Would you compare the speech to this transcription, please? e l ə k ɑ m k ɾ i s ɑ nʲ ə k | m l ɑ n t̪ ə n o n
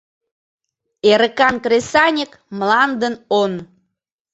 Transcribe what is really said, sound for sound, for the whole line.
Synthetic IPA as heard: e ɾ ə k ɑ n k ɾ e s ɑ nʲ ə k | m l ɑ n d̪ ə n o n